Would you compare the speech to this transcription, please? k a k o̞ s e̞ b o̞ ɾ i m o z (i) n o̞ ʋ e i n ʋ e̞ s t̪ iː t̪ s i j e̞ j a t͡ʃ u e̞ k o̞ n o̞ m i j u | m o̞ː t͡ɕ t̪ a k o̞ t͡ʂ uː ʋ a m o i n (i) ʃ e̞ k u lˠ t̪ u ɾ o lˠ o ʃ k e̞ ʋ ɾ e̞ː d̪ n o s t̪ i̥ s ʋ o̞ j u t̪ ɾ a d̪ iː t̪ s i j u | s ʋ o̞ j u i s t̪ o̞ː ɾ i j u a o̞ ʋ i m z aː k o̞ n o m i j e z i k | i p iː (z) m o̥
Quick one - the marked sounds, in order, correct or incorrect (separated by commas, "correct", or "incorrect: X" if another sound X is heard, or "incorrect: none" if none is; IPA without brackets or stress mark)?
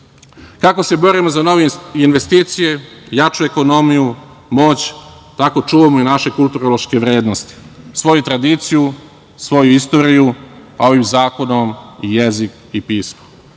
incorrect: a, incorrect: a, incorrect: s